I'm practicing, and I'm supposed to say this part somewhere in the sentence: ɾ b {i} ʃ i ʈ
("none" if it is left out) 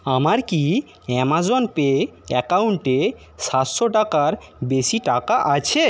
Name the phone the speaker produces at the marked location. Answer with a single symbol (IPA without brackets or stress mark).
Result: e